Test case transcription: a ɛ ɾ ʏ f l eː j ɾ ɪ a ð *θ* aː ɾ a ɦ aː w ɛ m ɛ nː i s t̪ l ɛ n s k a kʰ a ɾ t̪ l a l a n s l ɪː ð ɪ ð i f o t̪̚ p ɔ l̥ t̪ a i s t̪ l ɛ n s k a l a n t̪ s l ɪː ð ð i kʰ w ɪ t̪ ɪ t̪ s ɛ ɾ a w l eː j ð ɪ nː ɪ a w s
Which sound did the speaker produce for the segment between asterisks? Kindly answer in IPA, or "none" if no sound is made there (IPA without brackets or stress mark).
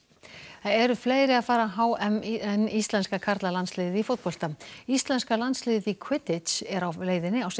f